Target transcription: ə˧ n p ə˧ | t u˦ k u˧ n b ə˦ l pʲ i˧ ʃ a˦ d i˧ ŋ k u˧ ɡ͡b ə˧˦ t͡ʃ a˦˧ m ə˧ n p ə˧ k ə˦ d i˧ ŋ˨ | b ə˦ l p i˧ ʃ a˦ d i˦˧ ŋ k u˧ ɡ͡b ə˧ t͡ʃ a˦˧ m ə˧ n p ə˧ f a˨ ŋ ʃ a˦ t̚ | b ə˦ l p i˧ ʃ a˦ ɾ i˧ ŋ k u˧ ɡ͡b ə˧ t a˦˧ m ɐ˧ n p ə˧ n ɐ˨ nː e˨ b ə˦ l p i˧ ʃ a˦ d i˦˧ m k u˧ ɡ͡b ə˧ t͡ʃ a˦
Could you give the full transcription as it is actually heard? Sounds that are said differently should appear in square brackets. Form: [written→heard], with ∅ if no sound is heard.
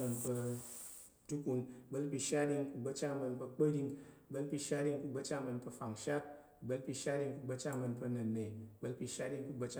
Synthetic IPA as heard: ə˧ n p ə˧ | t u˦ k u˧ n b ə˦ l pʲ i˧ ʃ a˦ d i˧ ŋ k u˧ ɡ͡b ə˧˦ t͡ʃ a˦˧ m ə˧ n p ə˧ [k→k͡p] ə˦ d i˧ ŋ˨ | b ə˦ l p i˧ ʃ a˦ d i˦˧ ŋ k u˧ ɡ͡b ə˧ t͡ʃ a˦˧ m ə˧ n p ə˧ f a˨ ŋ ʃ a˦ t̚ | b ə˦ l p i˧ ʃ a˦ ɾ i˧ ŋ k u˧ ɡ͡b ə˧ [t→t͡ʃ] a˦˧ m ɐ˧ n p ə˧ n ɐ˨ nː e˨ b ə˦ l p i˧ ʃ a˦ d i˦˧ [m→ŋ] k u˧ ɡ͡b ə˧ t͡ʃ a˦